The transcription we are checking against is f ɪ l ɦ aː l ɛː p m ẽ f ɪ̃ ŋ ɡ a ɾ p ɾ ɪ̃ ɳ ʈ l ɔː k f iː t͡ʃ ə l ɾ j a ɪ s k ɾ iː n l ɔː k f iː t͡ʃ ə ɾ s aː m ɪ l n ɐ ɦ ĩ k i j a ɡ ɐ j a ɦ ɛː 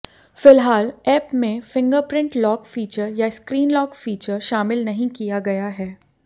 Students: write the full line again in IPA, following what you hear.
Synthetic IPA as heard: f ɪ l ɦ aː l ɛː p m ẽ f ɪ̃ ŋ ɡ ə ɾ p ɾ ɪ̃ ɳ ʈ l ɔː k f iː t͡ʃ ə ɾ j a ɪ s k ɾ iː n l ɔː k f iː t͡ʃ ə ɾ ʃ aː m ɪ l n ɐ ɦ ĩ k i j a ɡ ɐ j a ɦ ɛː